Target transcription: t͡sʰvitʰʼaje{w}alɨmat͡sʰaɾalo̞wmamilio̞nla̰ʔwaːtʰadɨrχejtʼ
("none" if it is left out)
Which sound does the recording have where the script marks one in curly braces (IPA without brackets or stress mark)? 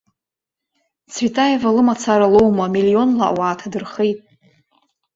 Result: v